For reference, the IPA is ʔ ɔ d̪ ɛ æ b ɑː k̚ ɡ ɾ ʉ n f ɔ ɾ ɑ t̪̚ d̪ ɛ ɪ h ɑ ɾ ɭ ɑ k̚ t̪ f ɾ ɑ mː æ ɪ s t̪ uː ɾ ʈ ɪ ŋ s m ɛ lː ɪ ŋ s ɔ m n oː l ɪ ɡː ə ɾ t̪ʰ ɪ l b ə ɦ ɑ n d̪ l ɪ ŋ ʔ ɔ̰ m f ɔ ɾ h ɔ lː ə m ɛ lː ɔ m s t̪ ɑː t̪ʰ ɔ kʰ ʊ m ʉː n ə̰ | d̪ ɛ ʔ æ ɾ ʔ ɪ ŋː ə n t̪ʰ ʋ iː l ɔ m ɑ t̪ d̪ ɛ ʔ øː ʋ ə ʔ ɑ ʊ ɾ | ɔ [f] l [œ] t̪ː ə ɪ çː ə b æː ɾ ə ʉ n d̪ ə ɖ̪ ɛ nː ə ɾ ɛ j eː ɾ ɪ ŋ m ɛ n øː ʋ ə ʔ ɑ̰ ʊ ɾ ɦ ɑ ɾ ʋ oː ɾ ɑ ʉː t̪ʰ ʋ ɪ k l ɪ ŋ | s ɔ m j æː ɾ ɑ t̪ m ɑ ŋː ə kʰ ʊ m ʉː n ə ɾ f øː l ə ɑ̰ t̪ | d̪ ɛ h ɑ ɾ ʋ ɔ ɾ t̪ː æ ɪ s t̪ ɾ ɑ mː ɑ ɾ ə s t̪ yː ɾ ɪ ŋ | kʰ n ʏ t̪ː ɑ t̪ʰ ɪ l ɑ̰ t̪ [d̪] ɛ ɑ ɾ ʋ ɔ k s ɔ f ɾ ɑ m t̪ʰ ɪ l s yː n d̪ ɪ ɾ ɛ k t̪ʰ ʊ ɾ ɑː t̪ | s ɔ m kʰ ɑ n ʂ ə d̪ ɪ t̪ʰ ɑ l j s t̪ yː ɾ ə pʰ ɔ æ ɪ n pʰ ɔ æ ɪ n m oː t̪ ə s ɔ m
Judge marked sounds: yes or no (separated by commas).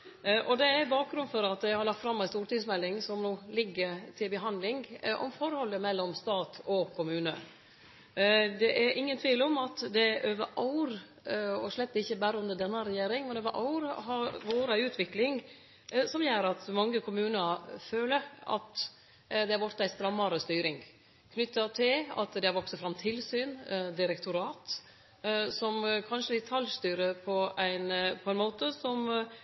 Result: no, no, yes